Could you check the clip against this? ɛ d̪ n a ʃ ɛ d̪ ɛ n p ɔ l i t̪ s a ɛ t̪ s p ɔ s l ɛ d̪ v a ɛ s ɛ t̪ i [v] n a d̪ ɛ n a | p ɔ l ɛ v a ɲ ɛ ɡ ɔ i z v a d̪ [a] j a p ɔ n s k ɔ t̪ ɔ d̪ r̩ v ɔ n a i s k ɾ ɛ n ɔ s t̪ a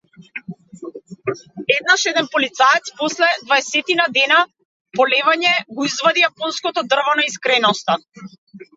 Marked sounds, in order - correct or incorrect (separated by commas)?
incorrect, incorrect